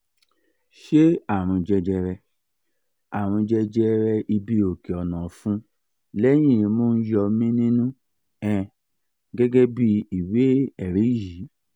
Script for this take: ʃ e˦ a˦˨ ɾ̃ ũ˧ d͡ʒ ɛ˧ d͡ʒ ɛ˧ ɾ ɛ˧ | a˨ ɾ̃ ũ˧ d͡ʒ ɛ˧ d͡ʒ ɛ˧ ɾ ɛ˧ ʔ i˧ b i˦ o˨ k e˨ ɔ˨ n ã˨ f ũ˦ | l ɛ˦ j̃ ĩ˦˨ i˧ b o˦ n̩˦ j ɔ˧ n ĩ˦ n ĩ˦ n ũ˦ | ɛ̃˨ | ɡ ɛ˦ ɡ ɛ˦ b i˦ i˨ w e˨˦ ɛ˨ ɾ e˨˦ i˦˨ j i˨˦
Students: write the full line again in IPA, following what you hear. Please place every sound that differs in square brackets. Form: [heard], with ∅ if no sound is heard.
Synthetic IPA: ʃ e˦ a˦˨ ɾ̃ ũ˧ d͡ʒ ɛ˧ d͡ʒ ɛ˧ ɾ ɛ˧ | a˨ ɾ̃ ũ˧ d͡ʒ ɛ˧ d͡ʒ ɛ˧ ɾ ɛ˧ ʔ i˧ b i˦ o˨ k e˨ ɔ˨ n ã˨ f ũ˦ | l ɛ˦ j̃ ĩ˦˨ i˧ [m] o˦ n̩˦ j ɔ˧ [m] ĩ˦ n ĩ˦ n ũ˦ | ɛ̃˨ | ɡ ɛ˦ ɡ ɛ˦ b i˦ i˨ w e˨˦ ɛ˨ ɾ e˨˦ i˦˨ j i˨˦